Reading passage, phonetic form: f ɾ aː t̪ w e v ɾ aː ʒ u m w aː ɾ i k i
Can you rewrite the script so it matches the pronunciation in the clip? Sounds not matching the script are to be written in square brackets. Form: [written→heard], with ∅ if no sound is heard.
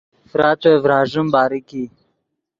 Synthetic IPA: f ɾ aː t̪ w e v ɾ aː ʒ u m [w→b] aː ɾ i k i